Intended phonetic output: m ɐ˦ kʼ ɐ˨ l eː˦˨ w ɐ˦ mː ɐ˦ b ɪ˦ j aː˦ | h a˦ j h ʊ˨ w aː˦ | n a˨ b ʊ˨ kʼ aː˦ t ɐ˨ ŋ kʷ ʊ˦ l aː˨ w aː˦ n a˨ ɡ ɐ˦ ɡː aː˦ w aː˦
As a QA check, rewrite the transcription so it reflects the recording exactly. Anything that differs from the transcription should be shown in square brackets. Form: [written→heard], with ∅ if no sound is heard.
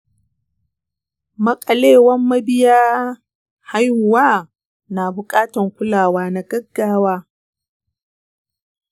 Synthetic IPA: m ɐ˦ kʼ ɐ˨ l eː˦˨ w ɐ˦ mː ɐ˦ b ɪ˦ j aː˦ | h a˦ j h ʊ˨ w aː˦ | n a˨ b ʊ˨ kʼ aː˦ t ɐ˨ ŋ kʷ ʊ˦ l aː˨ w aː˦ n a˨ ɡ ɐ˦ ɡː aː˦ w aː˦